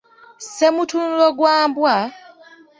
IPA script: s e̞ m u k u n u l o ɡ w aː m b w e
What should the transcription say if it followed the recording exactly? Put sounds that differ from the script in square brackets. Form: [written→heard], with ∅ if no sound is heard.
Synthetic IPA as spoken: s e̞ m u [k→t] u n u l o ɡ w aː m b w [e→a]